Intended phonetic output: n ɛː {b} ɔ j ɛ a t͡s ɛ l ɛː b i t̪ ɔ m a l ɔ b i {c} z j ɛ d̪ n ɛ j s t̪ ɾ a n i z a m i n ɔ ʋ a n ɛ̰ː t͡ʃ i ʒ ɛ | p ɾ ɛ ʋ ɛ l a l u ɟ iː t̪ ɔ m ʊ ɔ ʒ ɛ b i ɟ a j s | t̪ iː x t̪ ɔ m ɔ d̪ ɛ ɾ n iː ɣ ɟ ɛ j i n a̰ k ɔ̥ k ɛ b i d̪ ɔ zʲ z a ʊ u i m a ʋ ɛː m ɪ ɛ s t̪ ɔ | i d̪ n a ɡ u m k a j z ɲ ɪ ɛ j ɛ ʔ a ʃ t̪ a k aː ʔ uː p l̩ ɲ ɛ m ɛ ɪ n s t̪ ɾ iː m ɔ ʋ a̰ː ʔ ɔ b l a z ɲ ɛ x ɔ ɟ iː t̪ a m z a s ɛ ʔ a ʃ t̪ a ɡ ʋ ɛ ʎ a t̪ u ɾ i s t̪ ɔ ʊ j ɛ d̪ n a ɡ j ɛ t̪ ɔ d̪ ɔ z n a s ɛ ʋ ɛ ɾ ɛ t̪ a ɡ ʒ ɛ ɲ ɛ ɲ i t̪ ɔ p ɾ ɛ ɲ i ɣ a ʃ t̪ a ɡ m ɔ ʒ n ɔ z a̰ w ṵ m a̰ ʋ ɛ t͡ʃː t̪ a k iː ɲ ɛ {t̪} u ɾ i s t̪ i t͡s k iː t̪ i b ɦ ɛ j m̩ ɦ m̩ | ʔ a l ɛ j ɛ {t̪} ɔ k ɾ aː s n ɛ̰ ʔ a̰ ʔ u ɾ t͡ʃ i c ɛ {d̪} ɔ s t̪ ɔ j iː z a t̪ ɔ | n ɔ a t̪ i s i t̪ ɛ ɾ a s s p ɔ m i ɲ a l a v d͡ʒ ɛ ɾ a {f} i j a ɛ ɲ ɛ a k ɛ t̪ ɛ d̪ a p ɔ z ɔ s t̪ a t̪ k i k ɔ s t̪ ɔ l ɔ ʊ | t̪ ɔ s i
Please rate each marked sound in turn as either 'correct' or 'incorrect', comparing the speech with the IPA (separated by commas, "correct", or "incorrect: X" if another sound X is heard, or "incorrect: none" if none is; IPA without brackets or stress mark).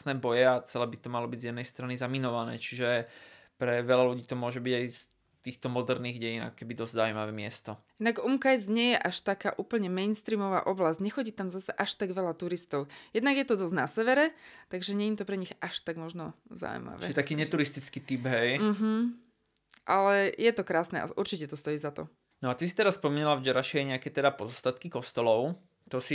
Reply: correct, incorrect: ɟ, correct, correct, incorrect: t̪, incorrect: ʃ